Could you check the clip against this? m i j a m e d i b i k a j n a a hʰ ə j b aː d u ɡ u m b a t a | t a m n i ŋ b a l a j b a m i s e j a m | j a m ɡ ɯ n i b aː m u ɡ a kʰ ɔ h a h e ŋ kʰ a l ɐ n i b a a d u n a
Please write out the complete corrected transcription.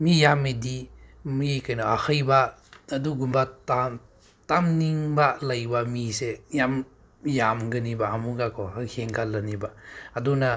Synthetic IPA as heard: m i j a m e d i m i k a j n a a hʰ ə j b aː d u ɡ u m b a t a | t a m n i ŋ b a l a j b a m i s e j a m | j a m ɡ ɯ n i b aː m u ɡ a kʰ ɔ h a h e ŋ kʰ a l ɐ n i b a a d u n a